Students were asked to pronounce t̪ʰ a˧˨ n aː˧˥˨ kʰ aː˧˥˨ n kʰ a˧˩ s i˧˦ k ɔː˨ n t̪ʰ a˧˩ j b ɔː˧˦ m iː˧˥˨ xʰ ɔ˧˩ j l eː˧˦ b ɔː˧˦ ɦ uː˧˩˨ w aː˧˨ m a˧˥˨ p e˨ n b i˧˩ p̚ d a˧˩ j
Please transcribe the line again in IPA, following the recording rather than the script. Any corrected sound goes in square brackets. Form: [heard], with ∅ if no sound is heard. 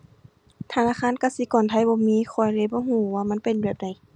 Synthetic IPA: t̪ʰ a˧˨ n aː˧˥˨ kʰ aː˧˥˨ n [k] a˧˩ s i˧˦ k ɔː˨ n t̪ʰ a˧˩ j b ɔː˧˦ m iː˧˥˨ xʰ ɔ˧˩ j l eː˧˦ b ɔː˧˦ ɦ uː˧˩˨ w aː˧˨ m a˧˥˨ p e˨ n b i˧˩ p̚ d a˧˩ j